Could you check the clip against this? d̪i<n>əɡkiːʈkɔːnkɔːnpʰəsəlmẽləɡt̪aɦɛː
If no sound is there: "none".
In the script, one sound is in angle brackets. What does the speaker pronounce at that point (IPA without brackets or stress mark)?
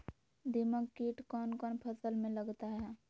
m